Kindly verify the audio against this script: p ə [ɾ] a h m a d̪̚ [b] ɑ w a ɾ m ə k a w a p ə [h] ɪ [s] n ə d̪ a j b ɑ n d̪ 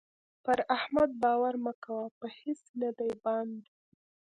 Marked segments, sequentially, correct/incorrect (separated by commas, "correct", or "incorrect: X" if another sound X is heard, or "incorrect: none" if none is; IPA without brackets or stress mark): correct, correct, correct, correct